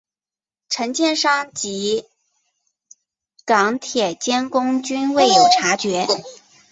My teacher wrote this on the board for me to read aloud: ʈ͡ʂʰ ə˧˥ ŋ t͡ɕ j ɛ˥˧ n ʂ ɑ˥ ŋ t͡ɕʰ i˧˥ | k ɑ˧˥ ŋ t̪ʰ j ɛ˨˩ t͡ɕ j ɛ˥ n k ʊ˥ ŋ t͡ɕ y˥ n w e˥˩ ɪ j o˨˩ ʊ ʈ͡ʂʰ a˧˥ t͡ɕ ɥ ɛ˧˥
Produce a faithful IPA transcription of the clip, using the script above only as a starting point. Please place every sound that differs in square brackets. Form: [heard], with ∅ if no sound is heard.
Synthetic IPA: ʈ͡ʂʰ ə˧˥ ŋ t͡ɕ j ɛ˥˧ n ʂ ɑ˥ ŋ [t͡ɕ] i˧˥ | k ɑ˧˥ ŋ t̪ʰ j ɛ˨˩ t͡ɕ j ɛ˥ n k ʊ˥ ŋ t͡ɕ y˥ n w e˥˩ ɪ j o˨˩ ʊ ʈ͡ʂʰ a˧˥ t͡ɕ ɥ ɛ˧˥